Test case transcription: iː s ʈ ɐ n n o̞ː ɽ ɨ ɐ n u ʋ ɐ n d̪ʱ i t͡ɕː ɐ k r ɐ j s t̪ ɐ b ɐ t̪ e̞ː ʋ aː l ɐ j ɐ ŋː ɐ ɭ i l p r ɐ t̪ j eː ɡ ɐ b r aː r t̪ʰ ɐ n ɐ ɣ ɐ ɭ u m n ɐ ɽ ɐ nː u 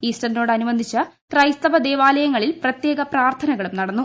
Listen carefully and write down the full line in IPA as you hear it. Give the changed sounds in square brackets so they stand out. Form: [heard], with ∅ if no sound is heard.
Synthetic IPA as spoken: iː s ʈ ɐ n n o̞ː ɽ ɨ ɐ n u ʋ ɐ n d̪ʱ i t͡ɕː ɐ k r ɐ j s t̪ ɐ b ɐ [d̪] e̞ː ʋ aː l ɐ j ɐ ŋː ɐ ɭ i l p r ɐ t̪ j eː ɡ ɐ [p] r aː r t̪ʰ ɐ n ɐ ɣ ɐ ɭ u m n ɐ ɽ ɐ nː u